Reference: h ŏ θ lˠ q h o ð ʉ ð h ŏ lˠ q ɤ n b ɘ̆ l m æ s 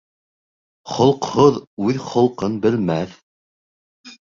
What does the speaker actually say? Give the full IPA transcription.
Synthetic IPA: χ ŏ lˠ q h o ð ʉ ð χ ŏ lˠ q ɤ n b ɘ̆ l m æ θ